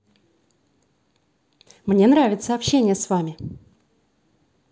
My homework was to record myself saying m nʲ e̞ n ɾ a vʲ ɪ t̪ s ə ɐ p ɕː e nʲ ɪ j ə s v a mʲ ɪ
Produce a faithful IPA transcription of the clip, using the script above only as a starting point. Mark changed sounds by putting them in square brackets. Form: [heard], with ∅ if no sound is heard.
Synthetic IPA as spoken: m nʲ e̞ n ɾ a vʲ ɪ t̪ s ə ɐ p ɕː e nʲ ɪ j ə s v a mʲ ɪ